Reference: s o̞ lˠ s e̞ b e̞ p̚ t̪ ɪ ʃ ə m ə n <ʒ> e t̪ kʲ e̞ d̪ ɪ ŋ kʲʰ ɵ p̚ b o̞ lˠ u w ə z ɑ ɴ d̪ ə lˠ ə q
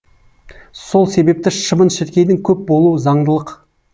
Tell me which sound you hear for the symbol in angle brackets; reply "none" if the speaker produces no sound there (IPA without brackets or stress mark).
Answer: ʃ